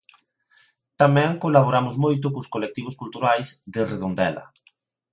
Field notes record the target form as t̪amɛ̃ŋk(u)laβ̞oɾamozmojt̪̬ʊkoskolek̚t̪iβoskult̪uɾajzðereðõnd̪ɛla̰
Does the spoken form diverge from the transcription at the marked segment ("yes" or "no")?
yes